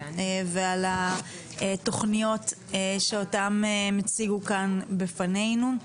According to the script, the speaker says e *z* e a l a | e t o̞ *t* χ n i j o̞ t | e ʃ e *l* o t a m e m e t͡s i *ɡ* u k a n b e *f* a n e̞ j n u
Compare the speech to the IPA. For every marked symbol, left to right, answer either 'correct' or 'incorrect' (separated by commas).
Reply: incorrect, incorrect, incorrect, correct, correct